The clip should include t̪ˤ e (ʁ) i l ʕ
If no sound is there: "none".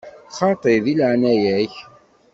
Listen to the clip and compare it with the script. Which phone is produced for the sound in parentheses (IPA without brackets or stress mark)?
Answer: ð